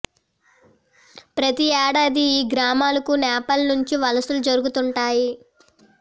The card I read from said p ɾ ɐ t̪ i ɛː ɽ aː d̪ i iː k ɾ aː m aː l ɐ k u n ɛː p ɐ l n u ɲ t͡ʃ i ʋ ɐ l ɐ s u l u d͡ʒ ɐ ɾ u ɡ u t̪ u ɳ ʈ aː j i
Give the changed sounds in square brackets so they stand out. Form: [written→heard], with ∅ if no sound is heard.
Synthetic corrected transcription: p ɾ ɐ t̪ i ɛː ɽ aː d̪ i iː [k→ɡ] ɾ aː m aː l ɐ k u n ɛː p ɐ l n u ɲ t͡ʃ i ʋ ɐ l ɐ s u l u d͡ʒ ɐ ɾ u ɡ u t̪ u ɳ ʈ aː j i

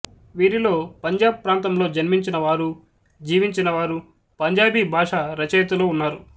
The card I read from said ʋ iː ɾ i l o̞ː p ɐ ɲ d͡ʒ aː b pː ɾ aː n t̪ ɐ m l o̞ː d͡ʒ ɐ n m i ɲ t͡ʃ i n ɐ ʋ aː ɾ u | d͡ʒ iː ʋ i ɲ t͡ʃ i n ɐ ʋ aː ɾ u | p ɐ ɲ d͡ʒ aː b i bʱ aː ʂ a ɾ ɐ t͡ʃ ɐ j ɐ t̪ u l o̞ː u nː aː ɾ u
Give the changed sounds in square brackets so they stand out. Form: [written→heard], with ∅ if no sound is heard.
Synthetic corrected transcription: ʋ iː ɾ i l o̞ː p ɐ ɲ d͡ʒ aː b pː ɾ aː n t̪ ɐ m l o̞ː d͡ʒ ɐ n m i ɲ t͡ʃ i n ɐ ʋ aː ɾ u | d͡ʒ iː ʋ i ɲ t͡ʃ i n ɐ ʋ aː ɾ u | p ɐ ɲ d͡ʒ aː b i bʱ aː ʂ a ɾ ɐ t͡ʃ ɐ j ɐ t̪ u l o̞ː u nː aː ɾ u

